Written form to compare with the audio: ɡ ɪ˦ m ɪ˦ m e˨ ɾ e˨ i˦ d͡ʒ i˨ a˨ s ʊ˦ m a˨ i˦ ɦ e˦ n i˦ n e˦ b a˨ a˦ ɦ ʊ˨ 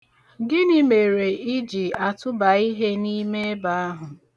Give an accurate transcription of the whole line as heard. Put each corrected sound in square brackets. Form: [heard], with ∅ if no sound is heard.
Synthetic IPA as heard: ɡ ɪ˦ [n] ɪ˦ m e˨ ɾ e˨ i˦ d͡ʒ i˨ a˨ [t] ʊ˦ [b] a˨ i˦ ɦ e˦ n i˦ [m] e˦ b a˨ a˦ ɦ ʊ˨